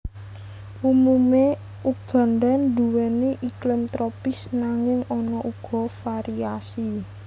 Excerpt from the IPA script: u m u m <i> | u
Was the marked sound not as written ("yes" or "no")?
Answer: yes